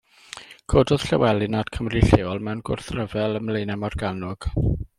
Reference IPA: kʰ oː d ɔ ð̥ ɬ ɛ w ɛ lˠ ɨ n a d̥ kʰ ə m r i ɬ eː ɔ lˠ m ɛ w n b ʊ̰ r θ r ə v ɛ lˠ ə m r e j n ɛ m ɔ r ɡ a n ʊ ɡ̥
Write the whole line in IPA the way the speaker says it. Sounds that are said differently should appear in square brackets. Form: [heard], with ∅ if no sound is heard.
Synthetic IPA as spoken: kʰ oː d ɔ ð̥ ɬ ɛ w ɛ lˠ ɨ n a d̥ kʰ ə m r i ɬ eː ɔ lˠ m ɛ w n [ɡ] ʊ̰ r θ r ə v ɛ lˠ ə m [l] e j n ɛ m ɔ r ɡ a n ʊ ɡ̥